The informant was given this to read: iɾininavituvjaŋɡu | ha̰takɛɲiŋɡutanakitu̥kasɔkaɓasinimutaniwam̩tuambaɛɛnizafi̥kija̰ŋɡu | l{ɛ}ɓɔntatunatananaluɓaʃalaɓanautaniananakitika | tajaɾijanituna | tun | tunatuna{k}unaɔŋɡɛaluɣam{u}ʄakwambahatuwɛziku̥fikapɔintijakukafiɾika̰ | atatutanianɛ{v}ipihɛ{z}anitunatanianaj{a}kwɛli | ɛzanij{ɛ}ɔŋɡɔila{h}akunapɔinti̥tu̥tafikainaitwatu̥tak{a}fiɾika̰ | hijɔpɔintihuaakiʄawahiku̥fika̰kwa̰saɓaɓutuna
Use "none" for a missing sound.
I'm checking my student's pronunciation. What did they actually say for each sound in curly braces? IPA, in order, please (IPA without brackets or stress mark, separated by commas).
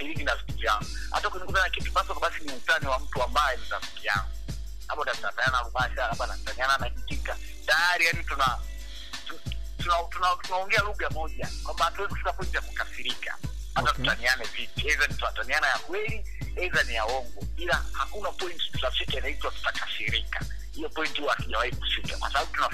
a, t, ɔ, v, z, a, a, h, a